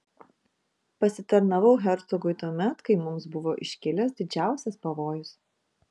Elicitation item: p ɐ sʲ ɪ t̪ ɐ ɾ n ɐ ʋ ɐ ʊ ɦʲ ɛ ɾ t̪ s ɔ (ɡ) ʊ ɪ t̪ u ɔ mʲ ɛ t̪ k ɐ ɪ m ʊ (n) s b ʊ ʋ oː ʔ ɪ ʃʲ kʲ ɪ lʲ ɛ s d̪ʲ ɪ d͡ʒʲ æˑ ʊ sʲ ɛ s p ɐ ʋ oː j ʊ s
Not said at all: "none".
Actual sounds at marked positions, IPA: ɡ, m

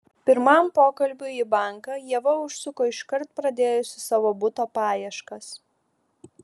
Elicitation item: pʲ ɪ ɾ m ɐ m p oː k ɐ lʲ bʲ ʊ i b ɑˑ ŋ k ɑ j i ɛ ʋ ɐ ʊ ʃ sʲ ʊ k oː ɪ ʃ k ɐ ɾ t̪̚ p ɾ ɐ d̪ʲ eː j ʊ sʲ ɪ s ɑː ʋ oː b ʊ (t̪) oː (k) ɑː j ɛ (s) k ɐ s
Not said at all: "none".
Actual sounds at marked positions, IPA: t̪, p, ʃ

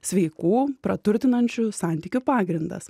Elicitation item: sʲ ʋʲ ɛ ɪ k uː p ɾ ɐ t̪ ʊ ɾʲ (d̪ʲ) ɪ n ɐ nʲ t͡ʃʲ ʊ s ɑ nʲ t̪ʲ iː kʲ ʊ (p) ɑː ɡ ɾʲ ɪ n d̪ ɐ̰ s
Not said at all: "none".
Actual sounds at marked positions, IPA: t̪ʲ, p

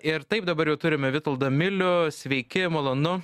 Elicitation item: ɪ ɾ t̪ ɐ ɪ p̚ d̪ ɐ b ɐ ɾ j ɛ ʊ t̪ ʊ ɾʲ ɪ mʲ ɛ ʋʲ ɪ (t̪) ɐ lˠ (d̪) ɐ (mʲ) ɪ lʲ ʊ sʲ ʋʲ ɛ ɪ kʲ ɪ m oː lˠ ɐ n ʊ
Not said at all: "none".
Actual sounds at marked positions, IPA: t̪, d̪, mʲ

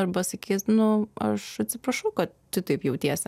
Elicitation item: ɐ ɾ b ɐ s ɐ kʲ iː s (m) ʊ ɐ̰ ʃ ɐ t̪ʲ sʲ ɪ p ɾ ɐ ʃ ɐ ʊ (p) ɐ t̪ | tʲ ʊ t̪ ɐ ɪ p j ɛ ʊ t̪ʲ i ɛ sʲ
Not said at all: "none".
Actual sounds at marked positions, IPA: n, k

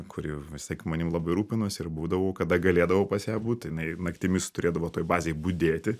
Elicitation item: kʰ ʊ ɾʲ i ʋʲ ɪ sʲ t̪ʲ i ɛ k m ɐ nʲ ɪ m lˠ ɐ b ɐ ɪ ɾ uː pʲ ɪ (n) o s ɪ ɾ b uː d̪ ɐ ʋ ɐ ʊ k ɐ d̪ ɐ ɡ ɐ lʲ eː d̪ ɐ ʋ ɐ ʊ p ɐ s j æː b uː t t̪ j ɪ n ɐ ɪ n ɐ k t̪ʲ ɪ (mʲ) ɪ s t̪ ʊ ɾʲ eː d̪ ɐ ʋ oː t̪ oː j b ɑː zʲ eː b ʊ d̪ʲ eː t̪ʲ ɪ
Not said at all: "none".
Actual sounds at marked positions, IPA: n, mʲ

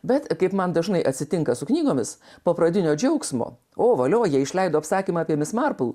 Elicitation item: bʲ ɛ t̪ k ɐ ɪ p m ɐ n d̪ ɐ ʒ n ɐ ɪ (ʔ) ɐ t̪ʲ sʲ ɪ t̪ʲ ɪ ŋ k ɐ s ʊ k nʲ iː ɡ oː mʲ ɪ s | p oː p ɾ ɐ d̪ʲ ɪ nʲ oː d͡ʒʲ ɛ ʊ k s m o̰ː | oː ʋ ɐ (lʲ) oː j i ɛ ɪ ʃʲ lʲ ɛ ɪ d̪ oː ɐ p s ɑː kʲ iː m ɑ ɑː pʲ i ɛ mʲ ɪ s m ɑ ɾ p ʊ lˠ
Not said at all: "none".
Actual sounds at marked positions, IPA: ʔ, lʲ

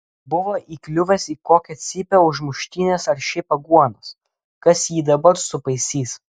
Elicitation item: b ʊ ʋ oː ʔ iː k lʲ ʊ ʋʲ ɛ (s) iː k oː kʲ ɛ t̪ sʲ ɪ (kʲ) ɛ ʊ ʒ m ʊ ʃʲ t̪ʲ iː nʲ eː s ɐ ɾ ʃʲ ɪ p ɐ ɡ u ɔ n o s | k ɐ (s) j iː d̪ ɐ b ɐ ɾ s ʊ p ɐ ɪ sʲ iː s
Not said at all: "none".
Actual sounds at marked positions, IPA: s, pʲ, s

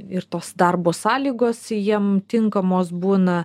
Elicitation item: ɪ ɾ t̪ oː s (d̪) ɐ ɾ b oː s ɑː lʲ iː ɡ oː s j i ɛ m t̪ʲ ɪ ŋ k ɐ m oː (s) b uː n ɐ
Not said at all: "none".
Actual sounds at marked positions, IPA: d̪, s

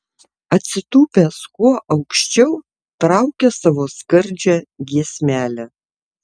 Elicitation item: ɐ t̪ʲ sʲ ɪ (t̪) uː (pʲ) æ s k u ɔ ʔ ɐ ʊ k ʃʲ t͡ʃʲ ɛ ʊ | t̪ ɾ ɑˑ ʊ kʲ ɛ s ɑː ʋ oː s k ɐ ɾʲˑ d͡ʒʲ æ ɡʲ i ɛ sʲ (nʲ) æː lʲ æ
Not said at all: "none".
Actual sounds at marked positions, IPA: t̪, pʲ, mʲ

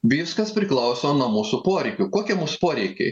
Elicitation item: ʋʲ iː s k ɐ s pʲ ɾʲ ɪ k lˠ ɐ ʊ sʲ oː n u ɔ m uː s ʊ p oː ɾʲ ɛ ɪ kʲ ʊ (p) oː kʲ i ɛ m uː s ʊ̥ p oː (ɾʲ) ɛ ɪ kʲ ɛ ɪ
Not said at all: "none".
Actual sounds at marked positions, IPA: k, ɾʲ

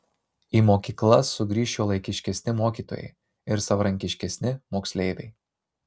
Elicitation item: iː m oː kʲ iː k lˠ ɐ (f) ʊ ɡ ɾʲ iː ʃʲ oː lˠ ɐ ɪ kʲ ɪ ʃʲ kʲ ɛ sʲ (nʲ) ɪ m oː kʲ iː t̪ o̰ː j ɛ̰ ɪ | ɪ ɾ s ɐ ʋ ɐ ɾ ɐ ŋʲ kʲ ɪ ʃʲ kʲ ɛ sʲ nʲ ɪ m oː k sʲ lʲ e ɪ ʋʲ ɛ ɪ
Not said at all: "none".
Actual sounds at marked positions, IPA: s, nʲ

